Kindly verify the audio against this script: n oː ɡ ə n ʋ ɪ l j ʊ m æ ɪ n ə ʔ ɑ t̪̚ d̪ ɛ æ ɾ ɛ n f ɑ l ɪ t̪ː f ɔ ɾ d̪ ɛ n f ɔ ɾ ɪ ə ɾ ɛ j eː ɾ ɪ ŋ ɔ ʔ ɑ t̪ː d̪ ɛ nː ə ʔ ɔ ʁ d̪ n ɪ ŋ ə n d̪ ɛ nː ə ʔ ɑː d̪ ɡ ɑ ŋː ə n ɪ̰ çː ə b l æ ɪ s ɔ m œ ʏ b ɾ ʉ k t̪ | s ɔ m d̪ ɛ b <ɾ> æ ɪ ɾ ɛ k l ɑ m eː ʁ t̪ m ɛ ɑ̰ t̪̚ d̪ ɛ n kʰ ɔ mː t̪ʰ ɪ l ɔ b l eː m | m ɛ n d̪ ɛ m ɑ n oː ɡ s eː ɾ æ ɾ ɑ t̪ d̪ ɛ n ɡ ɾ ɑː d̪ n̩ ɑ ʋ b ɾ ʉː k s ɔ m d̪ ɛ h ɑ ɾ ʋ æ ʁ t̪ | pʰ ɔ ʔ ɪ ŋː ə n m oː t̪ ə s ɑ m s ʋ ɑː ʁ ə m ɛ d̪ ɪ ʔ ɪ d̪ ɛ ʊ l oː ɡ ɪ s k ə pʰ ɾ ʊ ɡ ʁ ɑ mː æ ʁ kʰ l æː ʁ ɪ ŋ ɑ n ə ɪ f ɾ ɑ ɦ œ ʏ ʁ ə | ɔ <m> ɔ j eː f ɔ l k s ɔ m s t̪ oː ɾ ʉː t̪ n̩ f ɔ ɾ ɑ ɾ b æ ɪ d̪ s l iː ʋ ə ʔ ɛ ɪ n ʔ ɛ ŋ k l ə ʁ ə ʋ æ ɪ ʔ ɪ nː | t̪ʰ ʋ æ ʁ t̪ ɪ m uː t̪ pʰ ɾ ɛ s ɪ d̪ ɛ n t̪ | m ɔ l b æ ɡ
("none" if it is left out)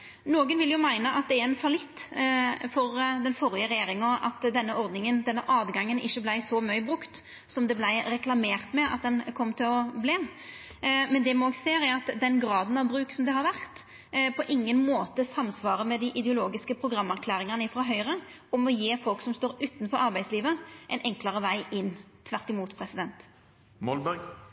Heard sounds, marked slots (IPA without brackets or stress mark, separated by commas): l, m